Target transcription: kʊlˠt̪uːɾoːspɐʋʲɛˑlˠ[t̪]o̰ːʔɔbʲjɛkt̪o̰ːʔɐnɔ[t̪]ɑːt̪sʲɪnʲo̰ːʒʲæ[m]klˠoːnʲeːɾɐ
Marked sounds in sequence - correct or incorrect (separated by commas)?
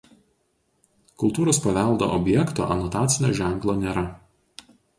incorrect, correct, incorrect